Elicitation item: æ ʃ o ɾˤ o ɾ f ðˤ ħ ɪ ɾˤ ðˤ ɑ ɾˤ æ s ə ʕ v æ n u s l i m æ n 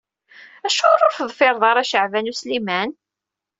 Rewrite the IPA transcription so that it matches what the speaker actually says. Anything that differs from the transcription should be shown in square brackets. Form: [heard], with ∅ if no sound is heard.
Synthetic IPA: æ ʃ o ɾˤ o ɾ f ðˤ [f] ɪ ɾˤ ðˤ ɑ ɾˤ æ [ʃ] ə ʕ v æ n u s l i m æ n